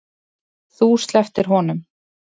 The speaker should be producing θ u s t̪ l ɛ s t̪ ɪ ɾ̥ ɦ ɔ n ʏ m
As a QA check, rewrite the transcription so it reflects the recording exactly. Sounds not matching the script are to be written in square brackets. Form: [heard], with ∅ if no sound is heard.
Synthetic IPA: θ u s t̪ l ɛ [f] t̪ ɪ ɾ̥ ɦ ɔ n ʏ m

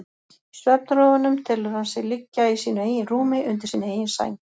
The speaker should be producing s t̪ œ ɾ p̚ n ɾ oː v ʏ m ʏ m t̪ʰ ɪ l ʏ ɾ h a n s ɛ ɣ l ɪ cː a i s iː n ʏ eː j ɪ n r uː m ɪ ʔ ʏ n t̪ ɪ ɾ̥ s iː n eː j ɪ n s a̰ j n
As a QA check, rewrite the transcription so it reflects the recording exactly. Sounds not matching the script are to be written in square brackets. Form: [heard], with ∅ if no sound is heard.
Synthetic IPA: s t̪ œ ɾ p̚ n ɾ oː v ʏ [n] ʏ m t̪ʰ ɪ l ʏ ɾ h a n s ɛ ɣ l ɪ cː a i s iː n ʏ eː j ɪ n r uː m ɪ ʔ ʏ n t̪ ɪ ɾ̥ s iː n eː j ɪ n s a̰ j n

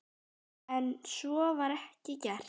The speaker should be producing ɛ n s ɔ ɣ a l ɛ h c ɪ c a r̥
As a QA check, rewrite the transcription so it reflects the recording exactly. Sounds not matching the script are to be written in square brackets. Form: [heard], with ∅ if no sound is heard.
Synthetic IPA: ɛ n s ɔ [v] a [ɾ] ɛ h c ɪ c [ɛ] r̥

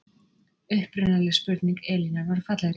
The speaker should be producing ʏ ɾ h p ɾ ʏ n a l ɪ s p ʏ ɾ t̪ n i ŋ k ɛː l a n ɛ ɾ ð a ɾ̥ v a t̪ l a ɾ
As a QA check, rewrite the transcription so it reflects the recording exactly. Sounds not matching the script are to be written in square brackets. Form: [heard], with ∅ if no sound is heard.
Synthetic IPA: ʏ [∅] h p ɾ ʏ n a l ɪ s p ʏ ɾ t̪ n i ŋ k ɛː l [i] n [a] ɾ [v] a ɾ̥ [f] a t̪ l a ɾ

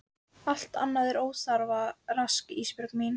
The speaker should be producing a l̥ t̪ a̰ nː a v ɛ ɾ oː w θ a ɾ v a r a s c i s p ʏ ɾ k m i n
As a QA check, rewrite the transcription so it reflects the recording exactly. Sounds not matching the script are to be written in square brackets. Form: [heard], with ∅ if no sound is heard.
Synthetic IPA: a l̥ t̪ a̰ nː a [ð] ɛ ɾ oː w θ a ɾ v a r a s [k] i s p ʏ ɾ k m i n

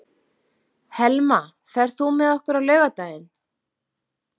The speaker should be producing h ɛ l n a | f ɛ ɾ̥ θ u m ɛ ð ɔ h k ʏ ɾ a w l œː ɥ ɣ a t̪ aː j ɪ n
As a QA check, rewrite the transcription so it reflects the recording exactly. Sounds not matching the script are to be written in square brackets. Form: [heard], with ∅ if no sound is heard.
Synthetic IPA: h ɛ l [m] a | f ɛ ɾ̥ θ u m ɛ ð ɔ h k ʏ ɾ a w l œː ɥ ɣ a t̪ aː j ɪ n

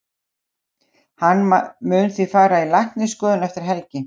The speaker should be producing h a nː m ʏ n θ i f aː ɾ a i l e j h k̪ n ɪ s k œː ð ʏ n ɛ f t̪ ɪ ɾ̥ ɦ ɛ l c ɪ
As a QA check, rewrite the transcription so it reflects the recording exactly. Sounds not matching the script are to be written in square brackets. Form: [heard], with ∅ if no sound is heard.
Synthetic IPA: h a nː m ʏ n θ i f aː ɾ a i l [a] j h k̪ n ɪ s k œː ð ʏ n ɛ f t̪ ɪ ɾ̥ ɦ ɛ l c ɪ

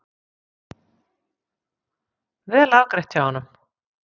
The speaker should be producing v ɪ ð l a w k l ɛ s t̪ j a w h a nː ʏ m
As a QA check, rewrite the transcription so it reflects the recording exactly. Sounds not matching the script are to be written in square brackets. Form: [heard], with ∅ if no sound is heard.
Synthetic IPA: v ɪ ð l a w k [ɾ] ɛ [h] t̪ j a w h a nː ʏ m

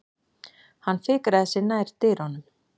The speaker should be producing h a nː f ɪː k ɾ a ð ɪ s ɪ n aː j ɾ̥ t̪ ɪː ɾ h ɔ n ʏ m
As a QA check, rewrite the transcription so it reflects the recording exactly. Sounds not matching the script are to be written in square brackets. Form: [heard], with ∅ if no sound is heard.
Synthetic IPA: h a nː f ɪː k ɾ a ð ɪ s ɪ n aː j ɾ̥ t̪ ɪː ɾ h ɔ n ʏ m

